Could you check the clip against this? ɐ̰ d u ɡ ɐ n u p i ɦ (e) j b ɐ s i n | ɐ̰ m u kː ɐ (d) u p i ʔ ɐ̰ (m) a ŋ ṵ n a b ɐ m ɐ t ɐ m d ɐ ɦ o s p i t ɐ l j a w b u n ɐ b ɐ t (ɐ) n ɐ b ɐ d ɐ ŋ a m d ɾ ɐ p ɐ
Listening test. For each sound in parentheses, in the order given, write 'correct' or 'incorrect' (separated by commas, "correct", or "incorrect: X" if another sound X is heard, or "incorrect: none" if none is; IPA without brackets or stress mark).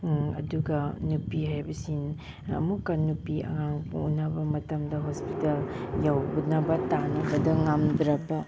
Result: incorrect: a, incorrect: n, incorrect: ŋ, incorrect: a